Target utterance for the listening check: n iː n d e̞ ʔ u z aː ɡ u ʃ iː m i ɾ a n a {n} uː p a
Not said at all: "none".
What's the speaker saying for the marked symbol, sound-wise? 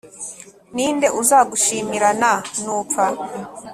n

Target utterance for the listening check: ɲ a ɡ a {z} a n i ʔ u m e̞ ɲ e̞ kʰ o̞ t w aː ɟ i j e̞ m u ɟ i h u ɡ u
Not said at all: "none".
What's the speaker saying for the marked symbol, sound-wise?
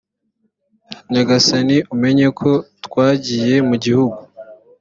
s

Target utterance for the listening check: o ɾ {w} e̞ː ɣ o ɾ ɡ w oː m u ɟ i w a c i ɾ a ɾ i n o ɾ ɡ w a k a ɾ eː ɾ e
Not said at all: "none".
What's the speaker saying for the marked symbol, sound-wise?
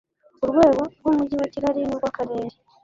w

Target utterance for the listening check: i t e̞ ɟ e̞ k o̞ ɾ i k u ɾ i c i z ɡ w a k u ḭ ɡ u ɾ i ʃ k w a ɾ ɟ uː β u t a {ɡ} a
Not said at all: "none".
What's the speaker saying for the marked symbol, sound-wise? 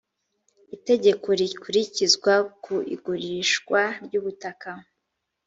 k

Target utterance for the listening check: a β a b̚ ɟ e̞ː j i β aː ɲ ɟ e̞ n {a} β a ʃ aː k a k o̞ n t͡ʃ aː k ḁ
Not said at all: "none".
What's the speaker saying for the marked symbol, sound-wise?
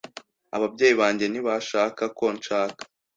i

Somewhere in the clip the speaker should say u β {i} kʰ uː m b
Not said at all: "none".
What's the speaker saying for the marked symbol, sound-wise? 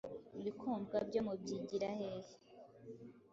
i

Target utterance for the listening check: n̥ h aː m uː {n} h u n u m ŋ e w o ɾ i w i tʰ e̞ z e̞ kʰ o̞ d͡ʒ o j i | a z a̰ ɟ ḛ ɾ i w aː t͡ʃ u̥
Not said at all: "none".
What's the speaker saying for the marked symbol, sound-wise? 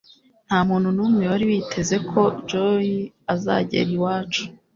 n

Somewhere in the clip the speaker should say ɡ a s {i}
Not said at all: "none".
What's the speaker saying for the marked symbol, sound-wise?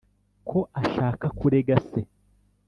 e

